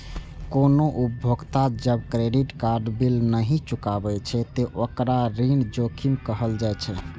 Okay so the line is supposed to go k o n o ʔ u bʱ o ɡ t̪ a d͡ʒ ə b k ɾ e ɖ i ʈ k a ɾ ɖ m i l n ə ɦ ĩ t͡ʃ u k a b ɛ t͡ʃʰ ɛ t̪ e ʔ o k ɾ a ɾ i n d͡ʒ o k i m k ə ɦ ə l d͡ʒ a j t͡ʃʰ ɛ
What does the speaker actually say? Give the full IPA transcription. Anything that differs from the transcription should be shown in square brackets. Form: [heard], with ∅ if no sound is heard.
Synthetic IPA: k o n o ʔ u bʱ o ɡ t̪ a d͡ʒ ə b k ɾ e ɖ i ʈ k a ɾ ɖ [b] i l n ə ɦ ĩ t͡ʃ u k a b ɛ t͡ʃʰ ɛ t̪ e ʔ o k ɾ a ɾ i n d͡ʒ o [kʰ] i m k ə ɦ ə l d͡ʒ a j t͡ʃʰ ɛ